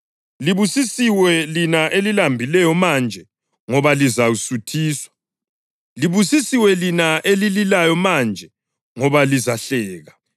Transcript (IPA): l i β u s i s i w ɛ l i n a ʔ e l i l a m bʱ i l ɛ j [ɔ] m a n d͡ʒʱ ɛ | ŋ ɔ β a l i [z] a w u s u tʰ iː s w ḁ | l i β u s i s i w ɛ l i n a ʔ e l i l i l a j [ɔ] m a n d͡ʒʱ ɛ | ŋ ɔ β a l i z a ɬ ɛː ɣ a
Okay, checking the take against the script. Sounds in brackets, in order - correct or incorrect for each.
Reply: correct, correct, correct

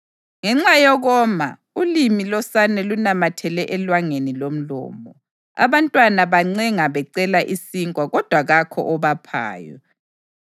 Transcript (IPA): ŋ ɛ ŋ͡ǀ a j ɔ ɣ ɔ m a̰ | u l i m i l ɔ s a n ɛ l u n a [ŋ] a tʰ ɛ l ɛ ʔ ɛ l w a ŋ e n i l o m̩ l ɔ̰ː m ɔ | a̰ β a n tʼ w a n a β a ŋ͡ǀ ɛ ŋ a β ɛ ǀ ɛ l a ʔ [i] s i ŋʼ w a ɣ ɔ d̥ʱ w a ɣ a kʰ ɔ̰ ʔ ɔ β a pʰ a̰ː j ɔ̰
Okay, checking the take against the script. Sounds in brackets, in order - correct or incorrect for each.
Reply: incorrect: m, correct

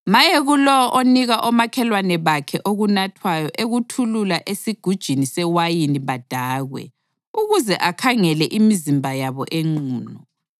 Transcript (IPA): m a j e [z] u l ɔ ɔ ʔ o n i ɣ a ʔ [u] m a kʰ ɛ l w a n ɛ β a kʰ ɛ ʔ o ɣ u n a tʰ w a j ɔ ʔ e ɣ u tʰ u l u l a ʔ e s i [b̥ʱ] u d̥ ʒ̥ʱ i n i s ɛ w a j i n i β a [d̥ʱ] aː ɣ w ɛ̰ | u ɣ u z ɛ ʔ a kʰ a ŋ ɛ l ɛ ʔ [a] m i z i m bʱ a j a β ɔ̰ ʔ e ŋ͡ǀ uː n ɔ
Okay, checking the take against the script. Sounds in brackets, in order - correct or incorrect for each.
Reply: incorrect: ɣ, incorrect: ɔ, incorrect: ɡ̥ʱ, correct, incorrect: i

